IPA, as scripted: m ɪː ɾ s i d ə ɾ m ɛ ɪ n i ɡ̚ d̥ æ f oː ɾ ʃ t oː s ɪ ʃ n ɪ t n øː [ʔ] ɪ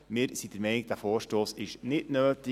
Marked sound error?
yes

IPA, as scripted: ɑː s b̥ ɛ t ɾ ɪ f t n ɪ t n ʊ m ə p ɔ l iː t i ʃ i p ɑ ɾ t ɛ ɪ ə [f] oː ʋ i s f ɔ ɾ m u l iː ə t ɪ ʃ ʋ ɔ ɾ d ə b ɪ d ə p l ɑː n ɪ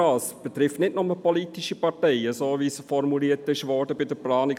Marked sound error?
yes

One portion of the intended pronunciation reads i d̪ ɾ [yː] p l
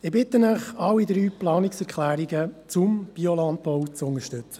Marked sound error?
no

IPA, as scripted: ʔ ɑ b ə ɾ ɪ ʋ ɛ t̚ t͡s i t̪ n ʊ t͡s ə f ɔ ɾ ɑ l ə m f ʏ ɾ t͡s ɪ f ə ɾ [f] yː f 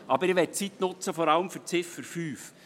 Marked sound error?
no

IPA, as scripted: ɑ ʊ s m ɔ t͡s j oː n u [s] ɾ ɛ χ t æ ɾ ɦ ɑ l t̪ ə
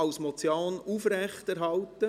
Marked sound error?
yes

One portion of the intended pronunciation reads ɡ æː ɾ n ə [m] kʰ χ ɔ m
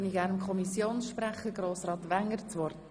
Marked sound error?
no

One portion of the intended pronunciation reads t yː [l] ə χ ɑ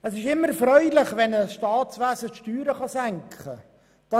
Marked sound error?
yes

